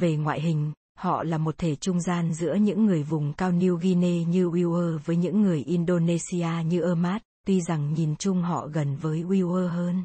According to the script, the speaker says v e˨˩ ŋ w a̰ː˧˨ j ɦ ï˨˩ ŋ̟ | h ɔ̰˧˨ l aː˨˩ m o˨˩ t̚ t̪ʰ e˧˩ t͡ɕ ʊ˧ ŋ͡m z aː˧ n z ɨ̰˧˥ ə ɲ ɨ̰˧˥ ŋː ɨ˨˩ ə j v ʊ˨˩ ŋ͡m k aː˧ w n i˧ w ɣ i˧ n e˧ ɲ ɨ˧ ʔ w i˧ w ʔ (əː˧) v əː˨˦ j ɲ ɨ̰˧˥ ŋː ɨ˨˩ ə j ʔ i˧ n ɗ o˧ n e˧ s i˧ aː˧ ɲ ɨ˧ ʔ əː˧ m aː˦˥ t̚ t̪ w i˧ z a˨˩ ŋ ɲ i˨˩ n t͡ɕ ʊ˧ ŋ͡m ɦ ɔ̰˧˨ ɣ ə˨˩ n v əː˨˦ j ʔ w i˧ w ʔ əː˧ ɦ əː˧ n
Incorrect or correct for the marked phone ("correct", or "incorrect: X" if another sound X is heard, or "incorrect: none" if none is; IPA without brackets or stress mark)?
correct